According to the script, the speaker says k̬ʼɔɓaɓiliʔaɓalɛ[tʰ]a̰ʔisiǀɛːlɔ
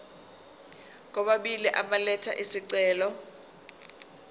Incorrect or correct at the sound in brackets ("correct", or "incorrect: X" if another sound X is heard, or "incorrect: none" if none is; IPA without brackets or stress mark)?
correct